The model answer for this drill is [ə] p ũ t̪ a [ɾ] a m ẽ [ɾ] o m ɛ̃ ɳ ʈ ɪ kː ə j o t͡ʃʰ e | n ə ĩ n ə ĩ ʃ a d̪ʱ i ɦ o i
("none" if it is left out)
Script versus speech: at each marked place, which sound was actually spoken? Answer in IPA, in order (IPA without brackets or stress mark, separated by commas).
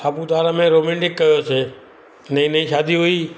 a, ɾ, ɾ